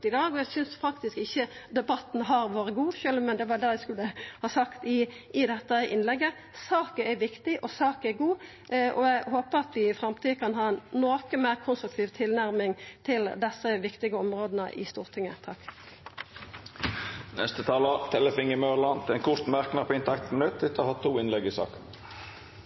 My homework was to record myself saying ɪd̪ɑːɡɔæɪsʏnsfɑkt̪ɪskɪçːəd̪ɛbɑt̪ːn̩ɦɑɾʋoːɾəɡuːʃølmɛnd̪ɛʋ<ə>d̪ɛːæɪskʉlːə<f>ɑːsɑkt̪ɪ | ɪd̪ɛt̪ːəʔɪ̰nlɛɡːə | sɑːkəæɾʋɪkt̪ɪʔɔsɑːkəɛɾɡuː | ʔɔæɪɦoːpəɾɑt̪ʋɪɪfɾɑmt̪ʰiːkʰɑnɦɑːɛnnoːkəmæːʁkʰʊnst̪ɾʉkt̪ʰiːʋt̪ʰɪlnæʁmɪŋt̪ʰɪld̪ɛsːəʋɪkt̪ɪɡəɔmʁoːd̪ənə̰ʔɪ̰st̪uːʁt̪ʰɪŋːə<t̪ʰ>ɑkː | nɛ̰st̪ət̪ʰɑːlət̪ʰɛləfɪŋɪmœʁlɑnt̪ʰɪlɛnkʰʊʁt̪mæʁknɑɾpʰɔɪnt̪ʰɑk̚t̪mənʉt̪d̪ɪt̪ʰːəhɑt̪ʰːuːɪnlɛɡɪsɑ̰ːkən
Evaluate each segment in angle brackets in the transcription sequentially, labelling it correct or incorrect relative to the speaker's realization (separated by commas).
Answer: incorrect, incorrect, correct